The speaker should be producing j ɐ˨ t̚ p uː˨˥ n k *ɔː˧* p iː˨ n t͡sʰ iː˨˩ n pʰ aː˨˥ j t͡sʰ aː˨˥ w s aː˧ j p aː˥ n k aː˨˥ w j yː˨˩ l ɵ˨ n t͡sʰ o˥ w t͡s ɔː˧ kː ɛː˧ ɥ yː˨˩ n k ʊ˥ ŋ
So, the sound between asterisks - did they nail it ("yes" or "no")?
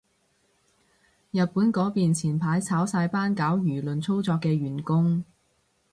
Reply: no